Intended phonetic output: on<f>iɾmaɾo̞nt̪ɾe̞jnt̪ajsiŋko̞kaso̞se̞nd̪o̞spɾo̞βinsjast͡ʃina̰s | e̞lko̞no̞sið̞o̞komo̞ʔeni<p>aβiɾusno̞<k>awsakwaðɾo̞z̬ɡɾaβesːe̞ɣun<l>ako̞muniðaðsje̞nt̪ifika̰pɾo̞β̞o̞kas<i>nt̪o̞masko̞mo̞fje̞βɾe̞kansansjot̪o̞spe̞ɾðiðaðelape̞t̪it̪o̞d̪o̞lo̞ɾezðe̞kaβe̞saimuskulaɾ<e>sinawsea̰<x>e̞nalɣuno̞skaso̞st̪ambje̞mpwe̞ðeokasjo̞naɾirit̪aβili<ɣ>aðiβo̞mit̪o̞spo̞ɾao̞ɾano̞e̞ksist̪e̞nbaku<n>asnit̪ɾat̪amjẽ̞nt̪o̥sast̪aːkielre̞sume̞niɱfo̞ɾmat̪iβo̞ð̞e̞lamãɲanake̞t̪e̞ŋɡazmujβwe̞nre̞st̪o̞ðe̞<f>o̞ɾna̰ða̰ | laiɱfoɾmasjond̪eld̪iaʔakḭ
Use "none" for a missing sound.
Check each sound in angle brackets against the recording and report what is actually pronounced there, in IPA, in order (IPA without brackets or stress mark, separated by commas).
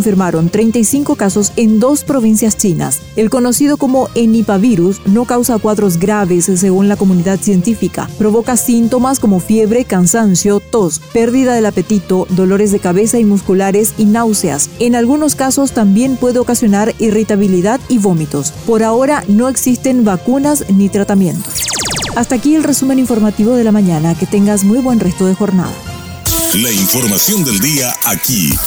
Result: f, p, k, l, i, e, s, ð, n, x